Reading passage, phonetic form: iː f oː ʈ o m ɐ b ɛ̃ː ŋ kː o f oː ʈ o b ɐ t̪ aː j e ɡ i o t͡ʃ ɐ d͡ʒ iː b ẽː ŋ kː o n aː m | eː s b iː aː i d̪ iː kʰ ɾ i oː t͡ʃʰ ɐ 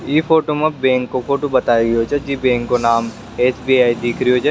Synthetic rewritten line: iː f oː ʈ o m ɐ b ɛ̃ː ŋ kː o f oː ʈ o b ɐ t̪ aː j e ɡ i o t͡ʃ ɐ d͡ʒ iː b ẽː ŋ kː o n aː m | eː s b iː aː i d̪ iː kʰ ɾ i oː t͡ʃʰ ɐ

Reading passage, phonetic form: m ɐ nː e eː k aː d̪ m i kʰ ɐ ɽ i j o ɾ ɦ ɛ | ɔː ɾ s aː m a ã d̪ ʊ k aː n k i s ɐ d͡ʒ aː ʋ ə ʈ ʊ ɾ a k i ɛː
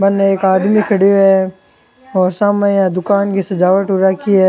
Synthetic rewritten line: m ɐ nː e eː k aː d̪ m i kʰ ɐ ɽ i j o ɦ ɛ | ɔː ɾ s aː m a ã d̪ ʊ k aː n k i s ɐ d͡ʒ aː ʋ ə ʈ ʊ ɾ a k i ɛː

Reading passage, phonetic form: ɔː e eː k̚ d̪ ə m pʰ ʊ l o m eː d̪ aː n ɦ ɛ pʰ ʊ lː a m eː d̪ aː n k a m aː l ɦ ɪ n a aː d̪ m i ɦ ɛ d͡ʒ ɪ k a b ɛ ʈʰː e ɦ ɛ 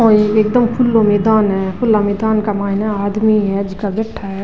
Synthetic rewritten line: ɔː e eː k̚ d̪ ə m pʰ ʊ l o m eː d̪ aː n ɦ ɛ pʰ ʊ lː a m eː d̪ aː n k a m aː ɦ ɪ n a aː d̪ m i ɦ ɛ d͡ʒ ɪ k a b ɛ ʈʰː a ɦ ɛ

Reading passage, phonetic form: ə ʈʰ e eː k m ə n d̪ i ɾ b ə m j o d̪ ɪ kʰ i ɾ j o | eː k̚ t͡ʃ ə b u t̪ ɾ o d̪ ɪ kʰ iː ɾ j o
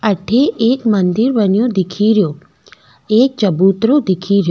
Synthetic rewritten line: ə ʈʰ e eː k m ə n d̪ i ɾ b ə n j o d̪ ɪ kʰ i ɾ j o | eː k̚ t͡ʃ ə b u t̪ ɾ o d̪ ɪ kʰ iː ɾ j o

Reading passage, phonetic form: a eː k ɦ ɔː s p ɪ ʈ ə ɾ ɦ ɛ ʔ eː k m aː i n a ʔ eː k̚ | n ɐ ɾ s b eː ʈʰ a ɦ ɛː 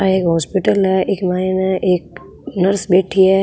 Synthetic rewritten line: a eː k ɦ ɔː s p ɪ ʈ ə l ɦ ɛ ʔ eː k m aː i n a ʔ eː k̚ | n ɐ ɾ s b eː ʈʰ i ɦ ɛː

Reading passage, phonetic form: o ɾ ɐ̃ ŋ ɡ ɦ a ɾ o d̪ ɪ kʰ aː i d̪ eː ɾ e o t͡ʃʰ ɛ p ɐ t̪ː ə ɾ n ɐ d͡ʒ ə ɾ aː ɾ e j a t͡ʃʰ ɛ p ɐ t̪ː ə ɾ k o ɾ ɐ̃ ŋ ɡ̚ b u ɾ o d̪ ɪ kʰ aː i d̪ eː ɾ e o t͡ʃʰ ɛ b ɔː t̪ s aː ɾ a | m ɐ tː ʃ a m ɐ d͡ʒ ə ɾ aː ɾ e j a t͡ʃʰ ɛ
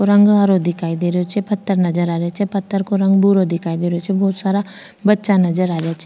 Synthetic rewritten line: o ɾ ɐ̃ ŋ ɡ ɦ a ɾ o d̪ ɪ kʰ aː i d̪ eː ɾ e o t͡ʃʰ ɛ p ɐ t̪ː ə ɾ n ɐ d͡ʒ ə ɾ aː ɾ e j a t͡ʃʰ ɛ p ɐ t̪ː ə ɾ k o ɾ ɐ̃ ŋ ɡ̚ b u ɾ o d̪ ɪ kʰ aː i d̪ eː ɾ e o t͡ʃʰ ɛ b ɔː t̪ s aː ɾ a | b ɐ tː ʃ a n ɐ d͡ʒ ə ɾ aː ɾ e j a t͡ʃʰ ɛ

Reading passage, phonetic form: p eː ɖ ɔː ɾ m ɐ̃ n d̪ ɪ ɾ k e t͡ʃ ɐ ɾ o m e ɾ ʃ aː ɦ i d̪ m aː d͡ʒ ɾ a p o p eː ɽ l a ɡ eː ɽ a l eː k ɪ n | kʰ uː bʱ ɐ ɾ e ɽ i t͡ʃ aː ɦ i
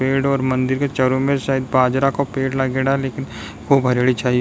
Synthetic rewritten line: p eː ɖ ɔː ɾ m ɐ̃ n d̪ ɪ ɾ k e t͡ʃ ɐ ɾ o m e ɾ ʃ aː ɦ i d̪ b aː d͡ʒ ɾ a k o p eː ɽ l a ɡ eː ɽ a l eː k ɪ n | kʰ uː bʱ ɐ ɾ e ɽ i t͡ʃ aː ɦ i

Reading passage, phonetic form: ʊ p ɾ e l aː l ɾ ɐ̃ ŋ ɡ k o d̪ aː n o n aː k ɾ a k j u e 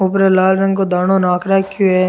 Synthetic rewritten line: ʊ p ɾ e l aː l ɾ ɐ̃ ŋ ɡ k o d̪ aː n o n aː k ɾ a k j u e

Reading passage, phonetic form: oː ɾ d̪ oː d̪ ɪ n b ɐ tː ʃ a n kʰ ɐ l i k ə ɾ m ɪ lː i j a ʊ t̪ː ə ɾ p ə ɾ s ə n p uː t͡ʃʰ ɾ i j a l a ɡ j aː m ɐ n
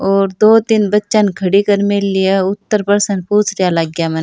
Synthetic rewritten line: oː ɾ d̪ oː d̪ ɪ n b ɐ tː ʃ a n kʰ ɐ ɽ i k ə ɾ m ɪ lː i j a ʊ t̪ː ə ɾ p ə ɾ s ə n p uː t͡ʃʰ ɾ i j a l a ɡ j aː m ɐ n

